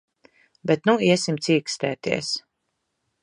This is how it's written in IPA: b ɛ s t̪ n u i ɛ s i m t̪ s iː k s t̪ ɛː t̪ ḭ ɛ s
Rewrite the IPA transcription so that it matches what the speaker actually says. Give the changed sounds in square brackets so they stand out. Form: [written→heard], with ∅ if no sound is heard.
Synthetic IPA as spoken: b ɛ [s→∅] t̪ n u i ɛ s i m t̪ s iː k s t̪ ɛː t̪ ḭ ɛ s

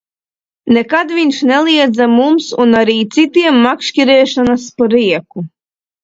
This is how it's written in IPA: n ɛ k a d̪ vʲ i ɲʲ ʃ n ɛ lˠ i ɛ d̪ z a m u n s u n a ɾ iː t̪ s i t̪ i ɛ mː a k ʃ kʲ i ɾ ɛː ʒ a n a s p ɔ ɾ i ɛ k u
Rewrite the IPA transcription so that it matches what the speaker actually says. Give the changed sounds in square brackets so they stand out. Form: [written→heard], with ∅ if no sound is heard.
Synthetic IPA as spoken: n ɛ k a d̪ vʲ i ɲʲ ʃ n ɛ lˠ i ɛ d̪ z a m u [n→m] s u n a ɾ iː t̪ s i t̪ i ɛ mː a k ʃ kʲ i ɾ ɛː [ʒ→ʃ] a n a s p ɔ ɾ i ɛ k u

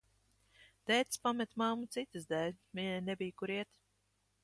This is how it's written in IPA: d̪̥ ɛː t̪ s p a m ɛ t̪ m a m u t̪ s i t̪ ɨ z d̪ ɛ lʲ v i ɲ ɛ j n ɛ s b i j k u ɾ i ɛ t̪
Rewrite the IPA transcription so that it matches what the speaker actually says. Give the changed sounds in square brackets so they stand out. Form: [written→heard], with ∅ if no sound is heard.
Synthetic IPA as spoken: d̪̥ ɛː t̪ s p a m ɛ t̪ m a m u t̪ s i t̪ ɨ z d̪ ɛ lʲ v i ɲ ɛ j n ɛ [s→∅] b i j k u ɾ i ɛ t̪

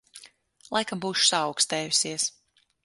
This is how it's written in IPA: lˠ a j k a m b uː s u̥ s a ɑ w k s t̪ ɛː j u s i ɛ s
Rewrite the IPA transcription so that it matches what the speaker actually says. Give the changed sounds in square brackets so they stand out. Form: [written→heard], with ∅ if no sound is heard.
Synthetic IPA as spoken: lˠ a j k a m b uː [s→ʃ] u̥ s a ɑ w k s t̪ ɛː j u s i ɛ s

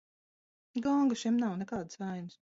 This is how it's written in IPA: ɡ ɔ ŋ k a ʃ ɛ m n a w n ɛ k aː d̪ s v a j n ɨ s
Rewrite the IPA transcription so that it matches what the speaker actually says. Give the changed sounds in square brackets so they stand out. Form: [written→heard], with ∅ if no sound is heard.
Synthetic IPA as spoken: ɡ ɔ ŋ [k→ɡ] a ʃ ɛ m n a w n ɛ k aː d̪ s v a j n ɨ s

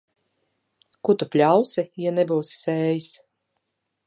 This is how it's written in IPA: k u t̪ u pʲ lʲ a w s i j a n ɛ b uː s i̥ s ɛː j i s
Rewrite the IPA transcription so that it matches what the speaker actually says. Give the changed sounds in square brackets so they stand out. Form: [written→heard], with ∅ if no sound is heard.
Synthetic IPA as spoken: k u t̪ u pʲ lʲ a w s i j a n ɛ b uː s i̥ s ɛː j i s

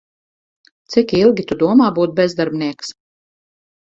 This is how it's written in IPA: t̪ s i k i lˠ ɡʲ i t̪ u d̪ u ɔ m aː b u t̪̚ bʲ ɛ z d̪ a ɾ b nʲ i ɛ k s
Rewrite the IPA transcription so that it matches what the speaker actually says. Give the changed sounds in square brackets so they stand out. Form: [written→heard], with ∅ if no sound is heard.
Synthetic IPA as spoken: t̪ s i k i lˠ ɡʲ i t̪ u d̪ u ɔ m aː b [u→uː] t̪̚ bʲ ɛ z d̪ a ɾ b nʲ i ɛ k s

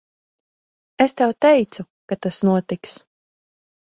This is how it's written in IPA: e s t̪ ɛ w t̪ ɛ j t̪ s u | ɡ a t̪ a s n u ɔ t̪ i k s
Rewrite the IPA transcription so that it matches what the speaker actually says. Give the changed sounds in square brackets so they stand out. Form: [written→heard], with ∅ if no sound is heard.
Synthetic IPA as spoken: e s t̪ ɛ w t̪ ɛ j t̪ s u | [ɡ→k] a t̪ a s n u ɔ t̪ i k s

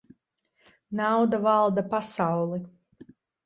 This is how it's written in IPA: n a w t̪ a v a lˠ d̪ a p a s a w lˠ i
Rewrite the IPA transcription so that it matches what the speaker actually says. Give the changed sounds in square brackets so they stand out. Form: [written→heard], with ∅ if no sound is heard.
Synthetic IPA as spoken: n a w [t̪→d̪] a v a lˠ d̪ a p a s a w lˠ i

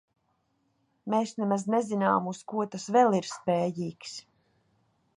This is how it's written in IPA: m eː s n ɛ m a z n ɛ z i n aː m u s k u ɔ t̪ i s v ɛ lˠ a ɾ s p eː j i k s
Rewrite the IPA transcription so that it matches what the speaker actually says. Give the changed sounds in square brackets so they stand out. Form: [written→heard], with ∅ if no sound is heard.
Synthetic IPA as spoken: m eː s n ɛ m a z n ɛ z i n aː m u s k u ɔ t̪ [i→a] s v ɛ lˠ [a→i] ɾ s p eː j [i→iː] k s

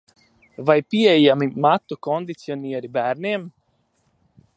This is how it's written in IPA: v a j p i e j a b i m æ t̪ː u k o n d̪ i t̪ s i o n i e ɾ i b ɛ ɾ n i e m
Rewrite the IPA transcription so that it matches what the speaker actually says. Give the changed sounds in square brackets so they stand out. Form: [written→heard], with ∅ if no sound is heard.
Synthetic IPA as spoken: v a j p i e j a [b→m] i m [æ→a] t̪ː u k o n d̪ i t̪ s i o n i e ɾ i b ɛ ɾ n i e m

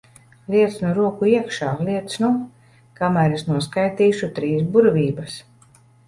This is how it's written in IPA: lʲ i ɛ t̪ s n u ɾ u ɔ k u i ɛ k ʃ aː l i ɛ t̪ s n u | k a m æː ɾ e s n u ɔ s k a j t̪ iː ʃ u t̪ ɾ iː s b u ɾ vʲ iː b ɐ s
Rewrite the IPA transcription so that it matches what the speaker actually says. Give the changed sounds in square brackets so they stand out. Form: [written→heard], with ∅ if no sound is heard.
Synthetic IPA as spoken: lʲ i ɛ t̪ s n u ɾ u ɔ k u i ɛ k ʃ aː l i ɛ t̪ s n u | k a m æː ɾ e s n u ɔ s k a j t̪ iː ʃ u t̪ ɾ iː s b u ɾ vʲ iː b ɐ s

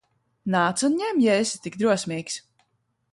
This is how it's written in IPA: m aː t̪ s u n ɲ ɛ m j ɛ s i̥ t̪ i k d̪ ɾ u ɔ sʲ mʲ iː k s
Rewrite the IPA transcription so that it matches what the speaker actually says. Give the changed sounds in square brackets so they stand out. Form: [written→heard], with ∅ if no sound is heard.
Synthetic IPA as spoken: [m→n] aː t̪ s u n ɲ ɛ m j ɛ s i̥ t̪ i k d̪ ɾ u ɔ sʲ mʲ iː k s

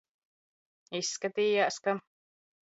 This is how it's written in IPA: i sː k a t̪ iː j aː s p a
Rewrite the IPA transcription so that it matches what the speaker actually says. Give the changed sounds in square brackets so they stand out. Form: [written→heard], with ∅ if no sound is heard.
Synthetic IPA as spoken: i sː k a t̪ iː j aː s [p→k] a

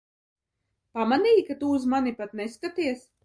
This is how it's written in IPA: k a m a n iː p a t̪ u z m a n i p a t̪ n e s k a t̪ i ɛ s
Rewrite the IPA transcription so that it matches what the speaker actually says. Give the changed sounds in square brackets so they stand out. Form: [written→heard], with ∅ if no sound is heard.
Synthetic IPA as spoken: [k→p] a m a n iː [p→k] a t̪ u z m a n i p a t̪ n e s k a t̪ i ɛ s

